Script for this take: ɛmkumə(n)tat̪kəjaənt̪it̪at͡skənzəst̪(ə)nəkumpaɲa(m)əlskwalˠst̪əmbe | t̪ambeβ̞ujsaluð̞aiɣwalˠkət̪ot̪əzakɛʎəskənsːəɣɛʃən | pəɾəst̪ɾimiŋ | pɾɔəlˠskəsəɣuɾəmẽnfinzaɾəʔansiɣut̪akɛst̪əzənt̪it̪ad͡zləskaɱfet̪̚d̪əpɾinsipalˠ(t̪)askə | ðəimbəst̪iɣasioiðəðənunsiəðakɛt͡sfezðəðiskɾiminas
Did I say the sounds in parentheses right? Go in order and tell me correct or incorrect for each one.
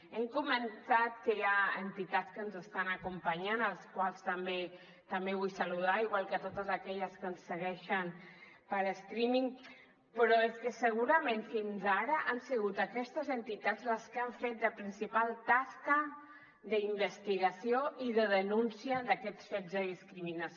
correct, incorrect: a, incorrect: n, correct

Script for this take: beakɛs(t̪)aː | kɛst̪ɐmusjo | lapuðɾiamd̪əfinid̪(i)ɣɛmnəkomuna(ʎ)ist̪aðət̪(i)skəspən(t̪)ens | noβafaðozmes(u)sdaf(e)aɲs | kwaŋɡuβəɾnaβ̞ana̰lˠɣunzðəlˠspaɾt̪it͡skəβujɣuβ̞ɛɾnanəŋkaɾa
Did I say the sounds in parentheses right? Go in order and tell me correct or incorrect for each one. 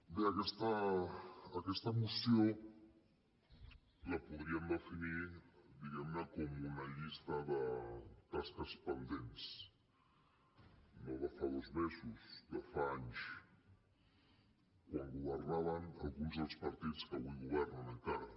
correct, correct, correct, incorrect: a, incorrect: d̪, correct, incorrect: a

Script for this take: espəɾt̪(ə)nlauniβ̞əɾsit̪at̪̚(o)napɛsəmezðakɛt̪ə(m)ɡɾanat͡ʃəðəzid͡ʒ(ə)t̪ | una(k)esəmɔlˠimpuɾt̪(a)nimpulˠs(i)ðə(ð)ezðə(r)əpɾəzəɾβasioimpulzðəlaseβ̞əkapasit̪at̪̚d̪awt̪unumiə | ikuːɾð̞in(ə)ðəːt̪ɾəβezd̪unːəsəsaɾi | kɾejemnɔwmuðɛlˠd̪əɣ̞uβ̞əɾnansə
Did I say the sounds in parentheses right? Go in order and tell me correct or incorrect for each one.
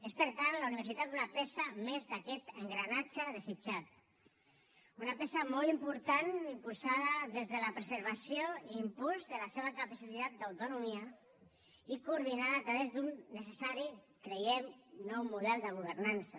incorrect: a, incorrect: u, incorrect: ŋ, incorrect: a, incorrect: p, correct, incorrect: a, correct, incorrect: l, incorrect: a

